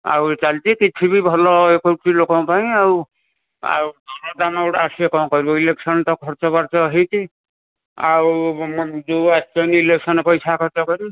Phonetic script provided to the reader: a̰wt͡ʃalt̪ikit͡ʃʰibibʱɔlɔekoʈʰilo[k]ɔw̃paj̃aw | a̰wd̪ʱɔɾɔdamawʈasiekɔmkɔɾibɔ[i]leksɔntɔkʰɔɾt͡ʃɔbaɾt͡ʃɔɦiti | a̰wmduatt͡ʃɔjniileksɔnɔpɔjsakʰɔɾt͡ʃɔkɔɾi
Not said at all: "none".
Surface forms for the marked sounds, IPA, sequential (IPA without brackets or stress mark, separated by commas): k, i